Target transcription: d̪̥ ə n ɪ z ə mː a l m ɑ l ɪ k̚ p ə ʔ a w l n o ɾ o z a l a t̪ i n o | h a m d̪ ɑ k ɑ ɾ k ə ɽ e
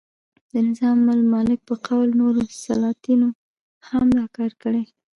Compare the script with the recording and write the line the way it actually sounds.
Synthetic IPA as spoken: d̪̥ ə n ɪ z ɑ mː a l m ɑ l ɪ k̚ p ə q a w l n o ɾ o s a l ɑ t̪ i n o | h a m d̪ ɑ k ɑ ɾ k ə ɽ e